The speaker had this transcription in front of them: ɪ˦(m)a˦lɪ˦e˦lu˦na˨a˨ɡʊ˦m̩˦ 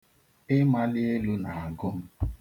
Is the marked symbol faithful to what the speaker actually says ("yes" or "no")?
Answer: yes